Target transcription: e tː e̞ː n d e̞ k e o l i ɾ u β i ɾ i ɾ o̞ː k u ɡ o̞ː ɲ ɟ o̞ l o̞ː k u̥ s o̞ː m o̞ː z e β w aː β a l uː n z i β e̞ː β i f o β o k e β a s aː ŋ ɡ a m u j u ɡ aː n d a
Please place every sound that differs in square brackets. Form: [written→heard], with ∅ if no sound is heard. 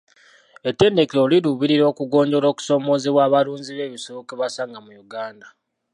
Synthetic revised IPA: e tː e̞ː n d e̞ k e o l i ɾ u β i ɾ i ɾ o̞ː k u ɡ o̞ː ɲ ɟ o̞ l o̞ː k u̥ s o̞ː m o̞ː z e β w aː β a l uː n z i β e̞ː β i [f→s] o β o k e β a s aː ŋ ɡ a m u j u ɡ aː n d a